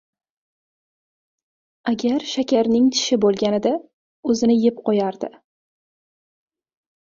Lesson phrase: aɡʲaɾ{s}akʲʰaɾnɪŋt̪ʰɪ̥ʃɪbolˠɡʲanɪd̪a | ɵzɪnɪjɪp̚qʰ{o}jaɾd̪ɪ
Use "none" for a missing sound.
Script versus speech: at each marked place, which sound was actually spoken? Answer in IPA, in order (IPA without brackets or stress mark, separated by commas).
ʃ, ɒ